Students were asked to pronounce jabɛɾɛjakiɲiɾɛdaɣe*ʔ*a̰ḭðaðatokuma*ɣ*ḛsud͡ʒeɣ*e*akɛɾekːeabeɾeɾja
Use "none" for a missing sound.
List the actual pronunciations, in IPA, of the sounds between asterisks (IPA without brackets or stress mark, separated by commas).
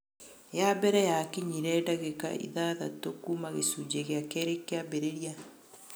k, ɣ, e